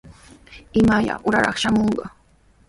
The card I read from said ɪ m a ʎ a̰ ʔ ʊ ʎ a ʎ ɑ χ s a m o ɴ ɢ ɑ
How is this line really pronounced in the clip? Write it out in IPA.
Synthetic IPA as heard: ɪ m a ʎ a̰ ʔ ʊ ɾ a ɾ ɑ χ ʃ a m o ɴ ɢ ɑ